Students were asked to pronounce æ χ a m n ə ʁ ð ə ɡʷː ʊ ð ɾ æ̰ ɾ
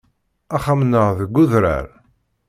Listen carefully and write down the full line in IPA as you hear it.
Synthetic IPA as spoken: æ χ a m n ə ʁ ð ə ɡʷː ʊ ð ɾ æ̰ ɾ